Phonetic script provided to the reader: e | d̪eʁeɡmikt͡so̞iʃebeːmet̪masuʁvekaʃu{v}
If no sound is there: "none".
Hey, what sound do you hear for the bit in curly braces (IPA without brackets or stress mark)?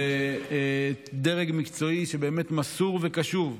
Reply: v